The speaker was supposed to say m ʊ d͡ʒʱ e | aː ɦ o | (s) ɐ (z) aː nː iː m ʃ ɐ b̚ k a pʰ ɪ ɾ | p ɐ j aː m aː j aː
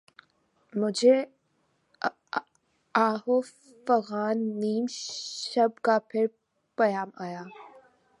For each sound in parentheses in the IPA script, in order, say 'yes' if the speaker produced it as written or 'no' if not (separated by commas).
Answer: no, no